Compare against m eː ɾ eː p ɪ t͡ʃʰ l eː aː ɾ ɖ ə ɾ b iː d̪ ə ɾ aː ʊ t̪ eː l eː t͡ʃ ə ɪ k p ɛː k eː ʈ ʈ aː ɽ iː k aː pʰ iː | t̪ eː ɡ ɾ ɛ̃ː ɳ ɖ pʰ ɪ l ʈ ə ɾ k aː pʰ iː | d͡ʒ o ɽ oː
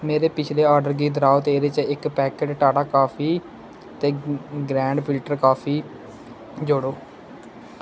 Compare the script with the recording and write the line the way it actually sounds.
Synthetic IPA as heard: m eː ɾ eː p ɪ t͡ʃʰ l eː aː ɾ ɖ ə ɾ ɡ iː d̪ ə ɾ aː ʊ t̪ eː ɾ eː t͡ʃ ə ɪ k p ɛː k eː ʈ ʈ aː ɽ aː k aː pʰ iː | t̪ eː ɡ ɾ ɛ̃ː ɳ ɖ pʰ ɪ l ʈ ə ɾ k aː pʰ iː | d͡ʒ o ɽ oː